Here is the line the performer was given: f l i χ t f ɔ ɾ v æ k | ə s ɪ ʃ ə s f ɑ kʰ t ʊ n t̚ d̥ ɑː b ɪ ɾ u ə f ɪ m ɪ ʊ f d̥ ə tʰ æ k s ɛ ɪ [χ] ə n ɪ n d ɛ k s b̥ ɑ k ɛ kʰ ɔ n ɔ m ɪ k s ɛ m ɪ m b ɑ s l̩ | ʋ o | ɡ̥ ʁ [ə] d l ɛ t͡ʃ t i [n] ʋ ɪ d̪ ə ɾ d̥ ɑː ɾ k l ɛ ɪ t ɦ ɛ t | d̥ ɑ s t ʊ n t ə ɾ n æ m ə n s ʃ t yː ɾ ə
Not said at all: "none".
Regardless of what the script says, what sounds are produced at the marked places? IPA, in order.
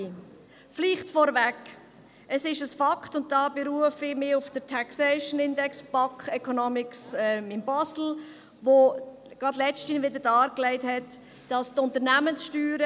ʃ, ɑ, n

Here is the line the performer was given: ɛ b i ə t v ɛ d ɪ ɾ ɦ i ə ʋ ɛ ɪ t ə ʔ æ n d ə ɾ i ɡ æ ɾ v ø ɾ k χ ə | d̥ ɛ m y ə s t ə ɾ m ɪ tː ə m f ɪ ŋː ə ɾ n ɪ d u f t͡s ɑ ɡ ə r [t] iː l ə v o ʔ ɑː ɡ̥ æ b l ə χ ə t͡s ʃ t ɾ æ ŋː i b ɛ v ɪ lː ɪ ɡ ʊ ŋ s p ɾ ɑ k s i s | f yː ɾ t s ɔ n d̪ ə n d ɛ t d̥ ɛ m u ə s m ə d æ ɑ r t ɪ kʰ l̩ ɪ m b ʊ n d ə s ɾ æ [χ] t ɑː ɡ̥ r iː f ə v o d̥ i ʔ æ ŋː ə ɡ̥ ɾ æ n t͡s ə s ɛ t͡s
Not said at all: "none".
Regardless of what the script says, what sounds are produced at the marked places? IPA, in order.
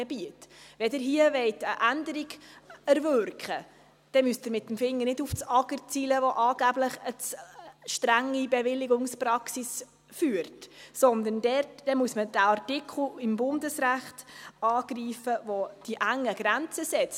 t͡s, χ

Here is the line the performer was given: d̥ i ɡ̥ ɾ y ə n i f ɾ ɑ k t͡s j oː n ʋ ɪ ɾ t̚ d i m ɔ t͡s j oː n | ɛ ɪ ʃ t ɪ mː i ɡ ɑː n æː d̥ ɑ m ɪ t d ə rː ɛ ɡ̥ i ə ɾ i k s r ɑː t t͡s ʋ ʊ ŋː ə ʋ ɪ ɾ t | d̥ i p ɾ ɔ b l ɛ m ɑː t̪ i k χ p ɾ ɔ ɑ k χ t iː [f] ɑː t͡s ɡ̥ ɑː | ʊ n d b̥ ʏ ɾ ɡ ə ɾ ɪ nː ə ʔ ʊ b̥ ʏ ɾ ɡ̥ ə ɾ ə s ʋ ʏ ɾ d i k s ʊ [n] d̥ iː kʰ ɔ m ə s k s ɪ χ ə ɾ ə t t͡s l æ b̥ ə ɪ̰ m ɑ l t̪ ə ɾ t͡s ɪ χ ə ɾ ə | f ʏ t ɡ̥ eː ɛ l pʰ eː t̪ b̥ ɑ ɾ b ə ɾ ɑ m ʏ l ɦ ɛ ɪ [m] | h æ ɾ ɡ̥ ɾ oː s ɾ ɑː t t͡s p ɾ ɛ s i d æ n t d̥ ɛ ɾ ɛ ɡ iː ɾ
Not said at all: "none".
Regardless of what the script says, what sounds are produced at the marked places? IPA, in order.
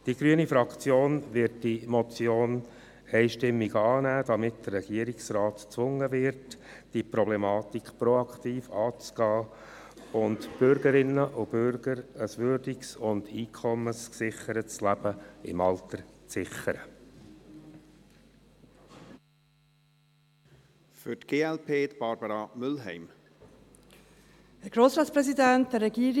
f, n, m

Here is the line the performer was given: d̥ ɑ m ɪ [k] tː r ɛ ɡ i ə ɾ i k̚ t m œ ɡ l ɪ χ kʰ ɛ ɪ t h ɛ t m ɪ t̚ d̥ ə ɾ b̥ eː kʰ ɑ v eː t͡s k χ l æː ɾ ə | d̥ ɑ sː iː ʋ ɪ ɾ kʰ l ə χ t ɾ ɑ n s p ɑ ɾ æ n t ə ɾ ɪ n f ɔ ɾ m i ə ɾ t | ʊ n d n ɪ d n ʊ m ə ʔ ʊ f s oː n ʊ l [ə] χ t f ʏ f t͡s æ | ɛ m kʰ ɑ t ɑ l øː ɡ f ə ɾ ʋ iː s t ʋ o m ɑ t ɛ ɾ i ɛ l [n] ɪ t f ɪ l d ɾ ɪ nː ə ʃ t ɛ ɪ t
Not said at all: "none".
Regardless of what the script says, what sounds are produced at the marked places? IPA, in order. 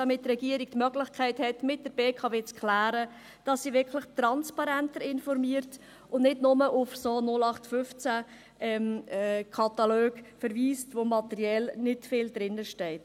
t, ɑ, n

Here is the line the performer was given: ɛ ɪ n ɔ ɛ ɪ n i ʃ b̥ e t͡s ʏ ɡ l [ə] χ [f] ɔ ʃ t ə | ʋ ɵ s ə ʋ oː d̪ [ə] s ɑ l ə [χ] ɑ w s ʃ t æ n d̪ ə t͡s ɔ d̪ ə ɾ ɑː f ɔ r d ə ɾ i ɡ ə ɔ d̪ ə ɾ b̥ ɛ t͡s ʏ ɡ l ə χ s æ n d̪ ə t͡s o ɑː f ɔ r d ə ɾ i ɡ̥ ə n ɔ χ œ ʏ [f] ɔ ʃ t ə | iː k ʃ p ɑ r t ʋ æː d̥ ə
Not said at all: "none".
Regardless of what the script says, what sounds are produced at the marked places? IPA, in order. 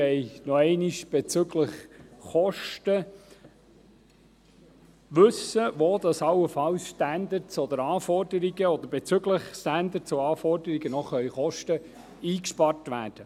ə, χ, ɑ, f, χ

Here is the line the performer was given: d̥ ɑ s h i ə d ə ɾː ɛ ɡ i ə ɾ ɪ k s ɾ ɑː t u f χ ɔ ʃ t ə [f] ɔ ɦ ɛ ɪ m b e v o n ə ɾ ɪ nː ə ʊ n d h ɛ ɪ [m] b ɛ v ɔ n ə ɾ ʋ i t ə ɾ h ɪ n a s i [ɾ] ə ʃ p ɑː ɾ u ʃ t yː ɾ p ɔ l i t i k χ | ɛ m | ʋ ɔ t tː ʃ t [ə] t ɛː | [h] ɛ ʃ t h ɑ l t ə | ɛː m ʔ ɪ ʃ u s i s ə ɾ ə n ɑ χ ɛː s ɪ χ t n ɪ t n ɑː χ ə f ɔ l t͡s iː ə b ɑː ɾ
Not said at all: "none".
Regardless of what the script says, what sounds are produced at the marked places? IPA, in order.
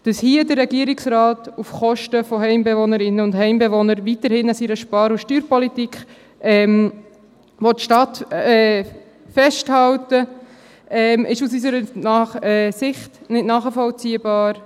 f, m, ɾ, ɑ, f

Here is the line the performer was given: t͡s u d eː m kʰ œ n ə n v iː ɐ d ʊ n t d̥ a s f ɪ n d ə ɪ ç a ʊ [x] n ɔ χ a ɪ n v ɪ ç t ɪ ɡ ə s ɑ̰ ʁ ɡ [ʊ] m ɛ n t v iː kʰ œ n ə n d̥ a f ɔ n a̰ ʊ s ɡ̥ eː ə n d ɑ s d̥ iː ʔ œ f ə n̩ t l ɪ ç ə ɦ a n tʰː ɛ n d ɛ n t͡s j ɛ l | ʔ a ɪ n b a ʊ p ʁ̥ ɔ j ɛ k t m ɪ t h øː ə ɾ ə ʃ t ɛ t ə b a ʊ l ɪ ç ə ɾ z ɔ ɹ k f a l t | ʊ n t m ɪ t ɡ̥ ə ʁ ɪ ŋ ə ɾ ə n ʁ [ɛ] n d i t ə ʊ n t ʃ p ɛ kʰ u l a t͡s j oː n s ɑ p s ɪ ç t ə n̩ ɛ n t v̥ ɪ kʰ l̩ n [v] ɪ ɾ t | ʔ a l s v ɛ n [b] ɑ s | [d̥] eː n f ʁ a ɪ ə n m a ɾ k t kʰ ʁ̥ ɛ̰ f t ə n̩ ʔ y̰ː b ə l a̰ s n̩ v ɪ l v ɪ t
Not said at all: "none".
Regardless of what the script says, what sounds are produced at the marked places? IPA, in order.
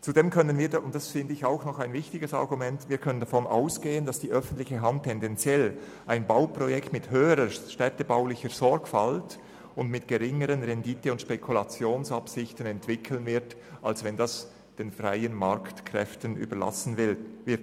x, u, ɛ, v, d, d̥

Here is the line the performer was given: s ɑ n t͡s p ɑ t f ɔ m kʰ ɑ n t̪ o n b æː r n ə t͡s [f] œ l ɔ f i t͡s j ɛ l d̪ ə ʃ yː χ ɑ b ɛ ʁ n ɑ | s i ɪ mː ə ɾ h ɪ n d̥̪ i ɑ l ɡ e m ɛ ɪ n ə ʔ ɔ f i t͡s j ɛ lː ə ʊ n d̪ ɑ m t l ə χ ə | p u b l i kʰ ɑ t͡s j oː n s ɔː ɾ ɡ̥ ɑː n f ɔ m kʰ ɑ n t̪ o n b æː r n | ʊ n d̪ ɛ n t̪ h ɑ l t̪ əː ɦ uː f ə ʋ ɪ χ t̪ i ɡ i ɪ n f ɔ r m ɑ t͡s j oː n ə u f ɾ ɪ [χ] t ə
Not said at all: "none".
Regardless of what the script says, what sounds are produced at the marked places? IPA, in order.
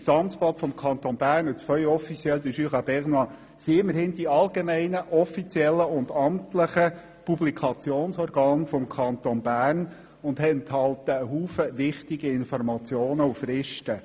f, ʃ

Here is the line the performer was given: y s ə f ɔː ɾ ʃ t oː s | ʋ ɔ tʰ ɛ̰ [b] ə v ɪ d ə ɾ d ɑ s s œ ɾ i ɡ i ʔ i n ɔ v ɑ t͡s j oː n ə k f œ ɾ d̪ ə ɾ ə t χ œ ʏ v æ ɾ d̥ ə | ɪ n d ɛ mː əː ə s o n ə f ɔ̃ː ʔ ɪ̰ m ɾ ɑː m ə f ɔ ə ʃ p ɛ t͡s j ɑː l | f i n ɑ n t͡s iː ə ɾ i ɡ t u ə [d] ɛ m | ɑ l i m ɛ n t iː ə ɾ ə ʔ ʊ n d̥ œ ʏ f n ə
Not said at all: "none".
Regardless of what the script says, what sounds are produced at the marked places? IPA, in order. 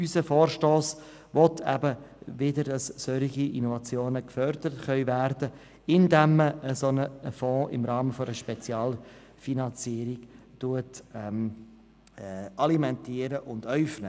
b, t

